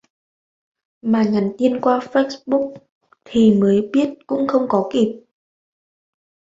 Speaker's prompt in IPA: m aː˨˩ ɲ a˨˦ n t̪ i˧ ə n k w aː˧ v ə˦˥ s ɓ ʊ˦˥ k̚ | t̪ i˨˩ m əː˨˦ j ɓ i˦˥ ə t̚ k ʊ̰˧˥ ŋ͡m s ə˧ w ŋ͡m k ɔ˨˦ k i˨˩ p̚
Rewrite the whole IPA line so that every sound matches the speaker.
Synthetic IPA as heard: m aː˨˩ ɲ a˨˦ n t̪ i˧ ə n k w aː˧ f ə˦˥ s ɓ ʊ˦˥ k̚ | t̪ʰ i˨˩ m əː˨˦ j ɓ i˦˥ ə t̚ k ʊ̰˧˥ ŋ͡m x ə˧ w ŋ͡m k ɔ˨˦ k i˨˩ p̚